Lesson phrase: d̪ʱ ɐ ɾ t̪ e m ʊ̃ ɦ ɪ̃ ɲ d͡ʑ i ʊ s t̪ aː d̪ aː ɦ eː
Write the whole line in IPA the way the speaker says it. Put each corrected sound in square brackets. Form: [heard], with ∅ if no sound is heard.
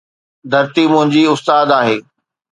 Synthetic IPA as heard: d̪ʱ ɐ ɾ t̪ [i] m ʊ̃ ɦ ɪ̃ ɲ d͡ʑ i ʊ s t̪ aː d̪ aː ɦ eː